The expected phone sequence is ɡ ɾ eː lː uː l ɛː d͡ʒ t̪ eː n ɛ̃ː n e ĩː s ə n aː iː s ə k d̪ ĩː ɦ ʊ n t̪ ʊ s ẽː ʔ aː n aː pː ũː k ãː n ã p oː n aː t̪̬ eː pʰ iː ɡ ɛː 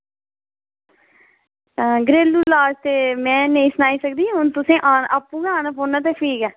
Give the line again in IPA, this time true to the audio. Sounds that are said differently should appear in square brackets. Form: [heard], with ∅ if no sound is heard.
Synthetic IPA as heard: ɡ ɾ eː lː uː l [aː] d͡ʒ t̪ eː [m] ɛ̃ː n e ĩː s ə n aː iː s ə k d̪ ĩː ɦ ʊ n t̪ ʊ s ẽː ʔ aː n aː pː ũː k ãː n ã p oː n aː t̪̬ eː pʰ iː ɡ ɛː